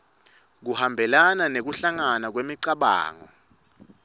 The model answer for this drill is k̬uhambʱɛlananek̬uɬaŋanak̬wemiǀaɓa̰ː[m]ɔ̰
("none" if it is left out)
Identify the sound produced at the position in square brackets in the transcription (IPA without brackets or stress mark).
ŋ